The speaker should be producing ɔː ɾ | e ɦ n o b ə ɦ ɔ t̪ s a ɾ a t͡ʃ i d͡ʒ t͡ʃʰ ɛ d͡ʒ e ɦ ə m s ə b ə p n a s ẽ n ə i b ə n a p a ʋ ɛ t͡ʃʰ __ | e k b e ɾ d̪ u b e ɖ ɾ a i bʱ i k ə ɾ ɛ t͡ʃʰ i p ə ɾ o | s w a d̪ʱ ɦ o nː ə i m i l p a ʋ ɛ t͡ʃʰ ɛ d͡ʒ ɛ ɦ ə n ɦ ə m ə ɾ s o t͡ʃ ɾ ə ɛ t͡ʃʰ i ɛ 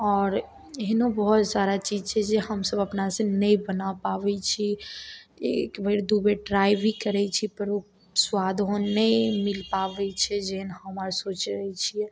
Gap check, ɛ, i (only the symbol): i